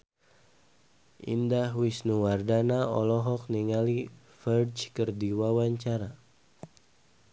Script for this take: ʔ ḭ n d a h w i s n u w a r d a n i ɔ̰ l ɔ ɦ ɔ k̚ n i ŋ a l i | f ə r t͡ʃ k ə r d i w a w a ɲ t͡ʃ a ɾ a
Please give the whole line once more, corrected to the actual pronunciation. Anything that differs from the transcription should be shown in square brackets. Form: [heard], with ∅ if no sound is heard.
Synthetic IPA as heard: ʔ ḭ n d a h w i s n u w a r d a n [a] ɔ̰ l ɔ ɦ ɔ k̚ n i ŋ a l i | f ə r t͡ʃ k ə r d i w a w a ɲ t͡ʃ a ɾ a